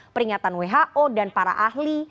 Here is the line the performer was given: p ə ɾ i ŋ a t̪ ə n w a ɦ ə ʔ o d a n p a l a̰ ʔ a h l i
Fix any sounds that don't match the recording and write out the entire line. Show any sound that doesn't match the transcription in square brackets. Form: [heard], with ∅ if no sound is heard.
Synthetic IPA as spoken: p ə ɾ i ŋ a t̪ [a] n w [e] ɦ [a] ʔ o d a n p a [ɾ] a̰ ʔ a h l i